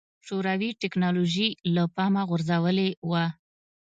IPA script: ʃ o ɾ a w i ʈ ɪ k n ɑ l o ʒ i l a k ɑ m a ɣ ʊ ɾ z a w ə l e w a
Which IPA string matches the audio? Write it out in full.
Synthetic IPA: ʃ o ɾ a w i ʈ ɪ k n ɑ l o ʒ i l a p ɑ m a ɣ ʊ ɾ z a w ə l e w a